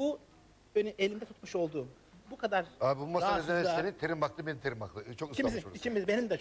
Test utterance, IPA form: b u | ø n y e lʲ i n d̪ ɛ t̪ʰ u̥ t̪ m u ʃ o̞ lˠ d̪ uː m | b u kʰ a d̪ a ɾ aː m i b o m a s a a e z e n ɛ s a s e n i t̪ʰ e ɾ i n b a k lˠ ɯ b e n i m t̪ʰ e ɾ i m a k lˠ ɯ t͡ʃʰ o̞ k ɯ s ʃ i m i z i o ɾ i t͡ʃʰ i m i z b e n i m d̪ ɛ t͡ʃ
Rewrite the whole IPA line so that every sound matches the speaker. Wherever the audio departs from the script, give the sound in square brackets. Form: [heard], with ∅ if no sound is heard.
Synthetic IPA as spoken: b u | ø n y e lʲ i n d̪ ɛ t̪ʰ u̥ t̪ m u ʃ o̞ lˠ d̪ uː m | b u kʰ a d̪ a ɾ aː [b] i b [u] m a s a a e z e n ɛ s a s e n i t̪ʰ e ɾ i [m] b a k lˠ ɯ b e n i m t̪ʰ e ɾ i m a k lˠ ɯ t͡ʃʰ o̞ k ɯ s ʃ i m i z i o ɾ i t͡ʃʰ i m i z b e n i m d̪ ɛ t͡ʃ

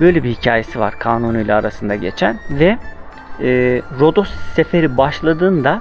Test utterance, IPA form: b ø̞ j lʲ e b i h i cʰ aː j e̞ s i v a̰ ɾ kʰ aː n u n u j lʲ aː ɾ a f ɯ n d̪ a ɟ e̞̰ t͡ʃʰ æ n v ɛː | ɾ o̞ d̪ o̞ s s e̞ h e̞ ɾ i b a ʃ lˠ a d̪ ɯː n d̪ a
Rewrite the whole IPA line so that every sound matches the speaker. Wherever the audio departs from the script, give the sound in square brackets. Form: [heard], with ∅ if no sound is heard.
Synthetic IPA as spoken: b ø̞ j lʲ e b i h i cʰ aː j e̞ s i v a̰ ɾ kʰ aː n u n u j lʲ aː ɾ a [s] ɯ n d̪ a ɟ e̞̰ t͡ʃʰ æ n v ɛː | ɾ o̞ d̪ o̞ s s e̞ [f] e̞ ɾ i b a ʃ lˠ a d̪ ɯː n d̪ a

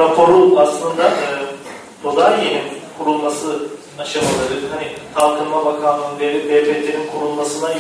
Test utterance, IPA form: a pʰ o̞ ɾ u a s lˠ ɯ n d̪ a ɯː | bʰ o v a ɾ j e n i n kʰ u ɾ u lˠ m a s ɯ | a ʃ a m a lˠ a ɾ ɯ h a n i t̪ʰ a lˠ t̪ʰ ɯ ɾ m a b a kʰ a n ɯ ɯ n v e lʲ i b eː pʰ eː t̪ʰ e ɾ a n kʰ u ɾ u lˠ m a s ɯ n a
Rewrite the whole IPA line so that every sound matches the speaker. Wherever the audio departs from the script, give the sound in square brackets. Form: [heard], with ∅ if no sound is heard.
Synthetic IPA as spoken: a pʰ o̞ ɾ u a s lˠ ɯ n d̪ a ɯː | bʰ o [z] a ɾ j e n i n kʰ u ɾ u lˠ m a s ɯ | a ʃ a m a lˠ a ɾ ɯ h a n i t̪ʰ a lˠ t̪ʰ ɯ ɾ m a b a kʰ a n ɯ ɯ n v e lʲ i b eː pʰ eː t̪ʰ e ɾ [i] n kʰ u ɾ u lˠ m a s ɯ n a

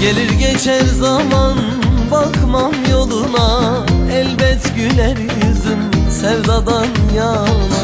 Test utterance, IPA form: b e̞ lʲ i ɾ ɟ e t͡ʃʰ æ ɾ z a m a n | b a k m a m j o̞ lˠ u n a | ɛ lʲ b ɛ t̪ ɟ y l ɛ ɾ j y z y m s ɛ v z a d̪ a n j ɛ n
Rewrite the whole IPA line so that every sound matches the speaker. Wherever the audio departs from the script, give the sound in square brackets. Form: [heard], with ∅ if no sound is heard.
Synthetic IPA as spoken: [ɟ] e̞ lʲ i ɾ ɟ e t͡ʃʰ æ ɾ z a m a n | b a k m a m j o̞ lˠ u n a | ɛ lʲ b ɛ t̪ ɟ y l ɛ ɾ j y z y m s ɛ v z a d̪ a n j [a] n

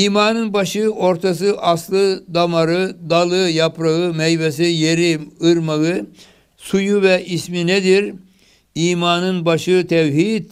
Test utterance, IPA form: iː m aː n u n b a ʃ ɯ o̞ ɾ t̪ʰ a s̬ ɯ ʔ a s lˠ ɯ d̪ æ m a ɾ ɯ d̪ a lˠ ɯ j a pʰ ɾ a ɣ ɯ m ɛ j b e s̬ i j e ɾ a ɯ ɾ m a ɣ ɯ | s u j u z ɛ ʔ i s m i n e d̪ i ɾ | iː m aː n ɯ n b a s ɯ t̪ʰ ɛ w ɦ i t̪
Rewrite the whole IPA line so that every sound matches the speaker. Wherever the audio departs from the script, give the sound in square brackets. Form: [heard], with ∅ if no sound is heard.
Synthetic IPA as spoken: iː m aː n [ɯ] n b a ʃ ɯ o̞ ɾ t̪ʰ a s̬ ɯ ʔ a s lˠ ɯ d̪ [a] m a ɾ ɯ d̪ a lˠ ɯ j a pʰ ɾ a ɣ ɯ m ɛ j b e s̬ i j e ɾ [i] ɯ ɾ m a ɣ ɯ | s u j u [v] ɛ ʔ i s m i n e d̪ i ɾ | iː m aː n ɯ n b a [ʃ] ɯ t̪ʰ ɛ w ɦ i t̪

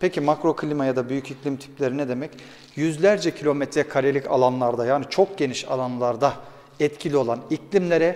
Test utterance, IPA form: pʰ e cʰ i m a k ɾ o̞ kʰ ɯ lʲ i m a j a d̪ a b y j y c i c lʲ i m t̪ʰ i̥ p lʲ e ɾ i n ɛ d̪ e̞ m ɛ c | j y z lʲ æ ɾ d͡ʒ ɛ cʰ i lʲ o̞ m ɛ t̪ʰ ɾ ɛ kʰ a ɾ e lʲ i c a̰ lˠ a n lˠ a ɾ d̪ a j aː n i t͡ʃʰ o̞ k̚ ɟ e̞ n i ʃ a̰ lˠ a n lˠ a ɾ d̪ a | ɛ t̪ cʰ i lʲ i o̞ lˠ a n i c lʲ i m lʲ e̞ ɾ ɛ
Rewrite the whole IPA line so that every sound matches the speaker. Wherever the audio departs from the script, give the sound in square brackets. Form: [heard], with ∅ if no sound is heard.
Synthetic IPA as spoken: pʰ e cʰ i m a k ɾ o̞ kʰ ɯ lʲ i m a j a d̪ a b y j y c i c lʲ i m t̪ʰ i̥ p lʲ e ɾ i n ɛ d̪ e̞ m ɛ c | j y z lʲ æ ɾ d͡ʒ ɛ cʰ i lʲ o̞ m ɛ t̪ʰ ɾ ɛ kʰ a ɾ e lʲ i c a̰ lˠ a n lˠ a ɾ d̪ a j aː n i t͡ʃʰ o̞ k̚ ɟ e̞ n i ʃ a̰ lˠ a n lˠ a ɾ d̪ a | ɛ t̪ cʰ i lʲ i o̞ lˠ a n i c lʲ i m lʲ e̞ ɾ ɛ

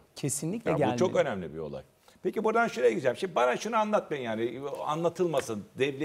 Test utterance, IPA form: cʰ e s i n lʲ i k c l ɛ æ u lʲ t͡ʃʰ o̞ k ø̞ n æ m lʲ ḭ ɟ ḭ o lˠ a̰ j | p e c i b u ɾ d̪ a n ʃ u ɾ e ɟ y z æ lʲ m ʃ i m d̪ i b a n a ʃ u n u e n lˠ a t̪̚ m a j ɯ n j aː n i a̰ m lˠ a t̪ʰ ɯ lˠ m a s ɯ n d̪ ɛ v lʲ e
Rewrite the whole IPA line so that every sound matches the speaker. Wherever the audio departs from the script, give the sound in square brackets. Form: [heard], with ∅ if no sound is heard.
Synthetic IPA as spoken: cʰ e s i n lʲ i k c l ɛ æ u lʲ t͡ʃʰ o̞ k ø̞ n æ m lʲ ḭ [b] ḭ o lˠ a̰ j | p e c i b u ɾ d̪ a n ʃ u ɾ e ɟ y z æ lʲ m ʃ i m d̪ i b a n a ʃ u n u [a] n lˠ a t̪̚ m a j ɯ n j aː n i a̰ [n] lˠ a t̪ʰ ɯ lˠ m a s ɯ n d̪ ɛ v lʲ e

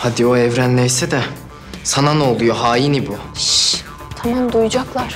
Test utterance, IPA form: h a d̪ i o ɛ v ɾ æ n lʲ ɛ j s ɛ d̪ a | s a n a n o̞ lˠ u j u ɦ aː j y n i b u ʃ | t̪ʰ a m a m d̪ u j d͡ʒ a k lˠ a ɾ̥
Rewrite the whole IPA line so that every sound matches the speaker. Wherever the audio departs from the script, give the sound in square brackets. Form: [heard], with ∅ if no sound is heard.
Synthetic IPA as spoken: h a d̪ i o ɛ v ɾ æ n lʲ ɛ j s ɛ d̪ [ɛ] | s a n a n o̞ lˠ u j [o] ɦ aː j [i] n i b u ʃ | t̪ʰ a m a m d̪ u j d͡ʒ a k lˠ a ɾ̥

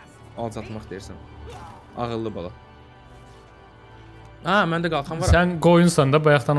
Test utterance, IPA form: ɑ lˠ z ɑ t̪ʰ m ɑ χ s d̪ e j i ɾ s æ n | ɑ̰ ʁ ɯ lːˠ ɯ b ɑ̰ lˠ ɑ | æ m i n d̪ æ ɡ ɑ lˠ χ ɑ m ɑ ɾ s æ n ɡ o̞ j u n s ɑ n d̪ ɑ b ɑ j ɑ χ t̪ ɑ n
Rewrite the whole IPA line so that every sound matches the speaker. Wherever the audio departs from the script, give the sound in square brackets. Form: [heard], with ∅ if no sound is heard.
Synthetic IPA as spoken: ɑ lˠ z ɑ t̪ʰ m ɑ χ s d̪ e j i ɾ s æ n | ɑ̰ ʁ ɯ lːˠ ɯ b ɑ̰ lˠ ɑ | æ m [æ] n d̪ æ ɡ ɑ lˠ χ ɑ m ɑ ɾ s æ n ɡ o̞ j u n s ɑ n d̪ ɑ b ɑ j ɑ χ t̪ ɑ n

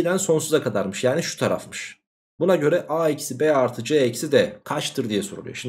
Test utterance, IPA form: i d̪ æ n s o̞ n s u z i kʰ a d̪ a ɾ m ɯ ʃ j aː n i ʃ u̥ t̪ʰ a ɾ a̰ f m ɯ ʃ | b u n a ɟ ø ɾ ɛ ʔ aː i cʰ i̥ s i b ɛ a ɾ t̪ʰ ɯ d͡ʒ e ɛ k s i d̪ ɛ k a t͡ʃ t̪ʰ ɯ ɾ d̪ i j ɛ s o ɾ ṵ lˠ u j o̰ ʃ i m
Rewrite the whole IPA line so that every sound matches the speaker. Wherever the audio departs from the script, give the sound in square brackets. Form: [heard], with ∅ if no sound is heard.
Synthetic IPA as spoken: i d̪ æ n s o̞ n s u z [a] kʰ a d̪ a ɾ m ɯ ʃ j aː n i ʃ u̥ t̪ʰ a ɾ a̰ f m ɯ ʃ | b u n a ɟ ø ɾ ɛ ʔ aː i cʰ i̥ s i b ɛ a ɾ t̪ʰ ɯ d͡ʒ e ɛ [c] s i d̪ ɛ [kʰ] a t͡ʃ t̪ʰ ɯ ɾ d̪ i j ɛ s o ɾ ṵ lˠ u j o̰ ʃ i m

